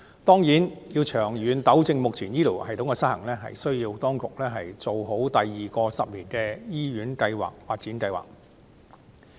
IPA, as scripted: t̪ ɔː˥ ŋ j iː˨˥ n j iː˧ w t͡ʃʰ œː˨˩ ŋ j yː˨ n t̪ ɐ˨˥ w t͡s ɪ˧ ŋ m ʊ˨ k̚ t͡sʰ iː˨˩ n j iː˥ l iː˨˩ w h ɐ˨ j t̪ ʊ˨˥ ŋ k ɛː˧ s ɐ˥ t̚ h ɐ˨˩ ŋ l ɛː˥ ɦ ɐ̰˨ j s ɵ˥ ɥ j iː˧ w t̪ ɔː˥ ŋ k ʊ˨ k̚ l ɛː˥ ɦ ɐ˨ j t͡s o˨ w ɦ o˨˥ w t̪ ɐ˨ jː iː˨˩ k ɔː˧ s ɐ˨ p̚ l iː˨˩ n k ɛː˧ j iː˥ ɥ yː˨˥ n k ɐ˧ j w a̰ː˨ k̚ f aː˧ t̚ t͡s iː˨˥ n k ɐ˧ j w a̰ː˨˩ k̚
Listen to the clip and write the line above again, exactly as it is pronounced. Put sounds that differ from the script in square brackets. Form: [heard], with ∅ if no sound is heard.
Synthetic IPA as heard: t̪ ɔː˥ ŋ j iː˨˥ n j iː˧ w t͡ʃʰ œː˨˩ ŋ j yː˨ n t̪ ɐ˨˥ w t͡s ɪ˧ ŋ m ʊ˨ k̚ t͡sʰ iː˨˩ n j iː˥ l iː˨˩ w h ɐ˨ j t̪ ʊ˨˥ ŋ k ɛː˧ s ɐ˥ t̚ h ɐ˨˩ ŋ l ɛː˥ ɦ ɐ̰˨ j s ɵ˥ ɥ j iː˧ w t̪ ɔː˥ ŋ k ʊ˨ k̚ l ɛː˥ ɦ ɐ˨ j t͡s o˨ w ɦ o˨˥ w t̪ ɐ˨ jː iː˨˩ k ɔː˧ s ɐ˨ p̚ l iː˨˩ n k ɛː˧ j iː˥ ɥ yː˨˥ n k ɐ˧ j w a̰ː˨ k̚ f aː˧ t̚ t͡s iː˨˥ n k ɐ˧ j w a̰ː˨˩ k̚

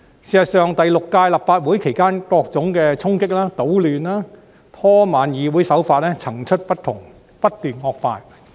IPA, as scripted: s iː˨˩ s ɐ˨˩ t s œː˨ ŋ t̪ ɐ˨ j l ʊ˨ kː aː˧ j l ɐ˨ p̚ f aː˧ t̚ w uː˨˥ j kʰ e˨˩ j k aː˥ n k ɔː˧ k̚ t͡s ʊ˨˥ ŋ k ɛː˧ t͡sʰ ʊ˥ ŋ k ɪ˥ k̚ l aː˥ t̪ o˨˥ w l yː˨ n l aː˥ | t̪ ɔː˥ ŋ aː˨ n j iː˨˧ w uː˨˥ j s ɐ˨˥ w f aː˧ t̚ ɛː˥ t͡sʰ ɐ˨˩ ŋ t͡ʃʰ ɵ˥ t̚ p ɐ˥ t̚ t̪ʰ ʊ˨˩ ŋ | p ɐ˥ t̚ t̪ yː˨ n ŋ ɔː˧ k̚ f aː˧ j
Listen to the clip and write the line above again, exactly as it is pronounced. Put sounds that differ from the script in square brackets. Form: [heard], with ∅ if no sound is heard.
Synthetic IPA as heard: s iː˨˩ s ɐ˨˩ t s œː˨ ŋ t̪ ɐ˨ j l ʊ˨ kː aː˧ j l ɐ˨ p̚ f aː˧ t̚ w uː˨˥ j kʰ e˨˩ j k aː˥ n k ɔː˧ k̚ t͡s ʊ˨˥ ŋ k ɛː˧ t͡sʰ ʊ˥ ŋ k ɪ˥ k̚ l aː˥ t̪ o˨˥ w l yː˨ n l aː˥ | [t̪ʰ] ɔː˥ [m] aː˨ n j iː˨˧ w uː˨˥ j s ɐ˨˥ w f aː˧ t̚ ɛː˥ t͡sʰ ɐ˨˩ ŋ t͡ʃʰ ɵ˥ t̚ p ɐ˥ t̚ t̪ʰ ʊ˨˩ ŋ | p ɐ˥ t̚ t̪ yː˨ n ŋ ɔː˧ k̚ f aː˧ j

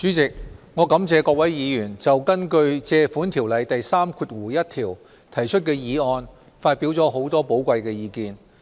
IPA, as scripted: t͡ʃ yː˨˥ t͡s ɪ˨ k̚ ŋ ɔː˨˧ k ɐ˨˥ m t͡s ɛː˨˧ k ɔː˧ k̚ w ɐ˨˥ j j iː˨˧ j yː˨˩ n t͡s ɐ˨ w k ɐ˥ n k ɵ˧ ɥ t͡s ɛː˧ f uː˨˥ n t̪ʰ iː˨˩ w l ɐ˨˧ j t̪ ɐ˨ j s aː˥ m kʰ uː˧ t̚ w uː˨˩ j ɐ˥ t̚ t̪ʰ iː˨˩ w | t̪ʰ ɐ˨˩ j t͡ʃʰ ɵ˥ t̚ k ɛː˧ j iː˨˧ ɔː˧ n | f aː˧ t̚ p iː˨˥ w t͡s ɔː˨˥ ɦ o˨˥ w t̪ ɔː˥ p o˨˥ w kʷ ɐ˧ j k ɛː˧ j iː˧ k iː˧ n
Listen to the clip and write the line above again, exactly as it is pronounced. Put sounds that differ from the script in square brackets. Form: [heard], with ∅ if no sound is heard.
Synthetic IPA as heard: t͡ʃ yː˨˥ t͡s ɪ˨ k̚ ŋ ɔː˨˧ k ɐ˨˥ m t͡s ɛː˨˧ k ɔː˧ k̚ w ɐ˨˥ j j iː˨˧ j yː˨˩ n t͡s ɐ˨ w k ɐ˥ n k ɵ˧ ɥ t͡s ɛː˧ f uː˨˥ n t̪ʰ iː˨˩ w l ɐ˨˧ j t̪ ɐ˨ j s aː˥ m kʰ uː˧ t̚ w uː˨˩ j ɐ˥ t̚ t̪ʰ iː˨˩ w | t̪ʰ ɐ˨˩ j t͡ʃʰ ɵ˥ t̚ k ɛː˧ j iː˨˧ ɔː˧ n | f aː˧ t̚ p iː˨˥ w t͡s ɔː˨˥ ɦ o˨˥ w t̪ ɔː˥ p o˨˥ w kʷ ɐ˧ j k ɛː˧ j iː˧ k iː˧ n

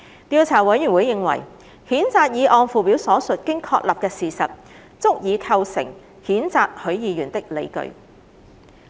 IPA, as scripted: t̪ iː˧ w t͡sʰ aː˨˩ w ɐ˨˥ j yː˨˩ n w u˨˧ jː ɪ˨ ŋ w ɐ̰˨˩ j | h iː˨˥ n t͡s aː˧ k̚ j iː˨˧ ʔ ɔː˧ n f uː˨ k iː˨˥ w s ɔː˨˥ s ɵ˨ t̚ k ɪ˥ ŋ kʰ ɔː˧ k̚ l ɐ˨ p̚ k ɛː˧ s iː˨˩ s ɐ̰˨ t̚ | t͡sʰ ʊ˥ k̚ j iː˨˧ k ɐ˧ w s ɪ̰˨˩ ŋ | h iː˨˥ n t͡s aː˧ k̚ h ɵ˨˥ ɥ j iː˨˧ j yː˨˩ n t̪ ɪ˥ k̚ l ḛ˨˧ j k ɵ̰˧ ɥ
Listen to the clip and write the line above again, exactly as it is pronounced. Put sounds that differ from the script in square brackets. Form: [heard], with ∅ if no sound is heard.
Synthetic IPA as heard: t̪ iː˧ w t͡sʰ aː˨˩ w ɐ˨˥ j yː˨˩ n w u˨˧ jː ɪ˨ ŋ w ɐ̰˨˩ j | h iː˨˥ n t͡s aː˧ k̚ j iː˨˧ ʔ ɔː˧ n f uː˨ [p] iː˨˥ w s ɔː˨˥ s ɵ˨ t̚ k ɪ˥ ŋ kʰ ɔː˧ k̚ l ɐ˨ p̚ k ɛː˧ s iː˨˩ s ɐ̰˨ t̚ | [t͡s] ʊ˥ k̚ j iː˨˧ [kʰ] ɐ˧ w s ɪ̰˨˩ ŋ | h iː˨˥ n t͡s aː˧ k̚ h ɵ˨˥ ɥ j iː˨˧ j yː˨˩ n t̪ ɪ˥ k̚ l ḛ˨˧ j k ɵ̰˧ ɥ

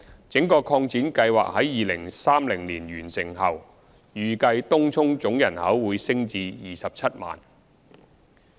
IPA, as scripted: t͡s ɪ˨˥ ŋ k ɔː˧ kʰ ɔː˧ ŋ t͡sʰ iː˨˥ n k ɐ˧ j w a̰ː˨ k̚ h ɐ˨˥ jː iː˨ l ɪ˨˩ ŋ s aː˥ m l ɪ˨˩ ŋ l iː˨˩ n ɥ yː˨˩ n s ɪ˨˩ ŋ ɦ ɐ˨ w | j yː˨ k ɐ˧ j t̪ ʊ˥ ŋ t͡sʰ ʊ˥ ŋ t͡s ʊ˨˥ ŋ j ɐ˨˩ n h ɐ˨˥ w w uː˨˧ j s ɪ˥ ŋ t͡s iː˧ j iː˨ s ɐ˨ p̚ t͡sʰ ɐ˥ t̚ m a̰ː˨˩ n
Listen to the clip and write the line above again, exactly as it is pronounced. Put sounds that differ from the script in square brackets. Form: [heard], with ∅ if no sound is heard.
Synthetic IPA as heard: t͡s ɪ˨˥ ŋ k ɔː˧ kʰ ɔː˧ ŋ [t͡s] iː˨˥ n k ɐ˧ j w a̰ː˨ k̚ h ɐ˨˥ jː iː˨ l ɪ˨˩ ŋ s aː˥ m l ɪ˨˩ ŋ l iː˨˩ n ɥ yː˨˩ n s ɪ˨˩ ŋ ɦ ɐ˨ w | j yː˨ k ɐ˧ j t̪ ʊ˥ ŋ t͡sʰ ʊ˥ ŋ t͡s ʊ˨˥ ŋ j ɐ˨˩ n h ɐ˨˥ w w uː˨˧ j s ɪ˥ ŋ t͡s iː˧ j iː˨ s ɐ˨ p̚ t͡sʰ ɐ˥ t̚ m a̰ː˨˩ n

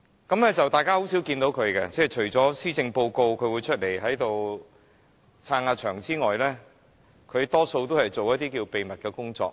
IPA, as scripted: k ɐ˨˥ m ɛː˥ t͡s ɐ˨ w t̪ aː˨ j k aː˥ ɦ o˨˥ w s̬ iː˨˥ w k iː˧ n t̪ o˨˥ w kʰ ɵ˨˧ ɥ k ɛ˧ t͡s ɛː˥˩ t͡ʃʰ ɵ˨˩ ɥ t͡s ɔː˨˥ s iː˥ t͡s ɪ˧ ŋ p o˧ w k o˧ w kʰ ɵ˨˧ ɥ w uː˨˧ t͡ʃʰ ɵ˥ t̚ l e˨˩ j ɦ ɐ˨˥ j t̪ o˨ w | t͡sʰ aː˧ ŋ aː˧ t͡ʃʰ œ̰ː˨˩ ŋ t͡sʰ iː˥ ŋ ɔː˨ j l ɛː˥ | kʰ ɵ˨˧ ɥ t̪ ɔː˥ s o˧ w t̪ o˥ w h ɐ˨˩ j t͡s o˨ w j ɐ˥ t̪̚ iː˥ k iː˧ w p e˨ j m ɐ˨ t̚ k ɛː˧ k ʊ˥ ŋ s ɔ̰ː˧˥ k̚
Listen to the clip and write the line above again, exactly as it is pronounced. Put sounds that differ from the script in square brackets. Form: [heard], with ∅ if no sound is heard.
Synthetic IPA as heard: k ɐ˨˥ m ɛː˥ t͡s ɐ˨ w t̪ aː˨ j k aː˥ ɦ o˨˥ w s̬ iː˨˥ w k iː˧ n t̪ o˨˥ w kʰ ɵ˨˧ ɥ k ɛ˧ t͡s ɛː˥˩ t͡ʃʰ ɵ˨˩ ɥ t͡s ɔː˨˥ s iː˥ t͡s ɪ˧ ŋ p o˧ w k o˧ w kʰ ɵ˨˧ ɥ w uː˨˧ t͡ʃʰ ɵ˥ t̚ l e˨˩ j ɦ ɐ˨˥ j t̪ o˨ w | t͡sʰ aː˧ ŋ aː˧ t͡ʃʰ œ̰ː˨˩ ŋ [t͡s] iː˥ ŋ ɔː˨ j l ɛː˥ | kʰ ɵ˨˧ ɥ t̪ ɔː˥ s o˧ w t̪ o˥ w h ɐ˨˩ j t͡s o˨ w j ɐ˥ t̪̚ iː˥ k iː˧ w p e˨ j m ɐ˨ t̚ k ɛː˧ k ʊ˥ ŋ [t͡s] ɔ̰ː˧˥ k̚

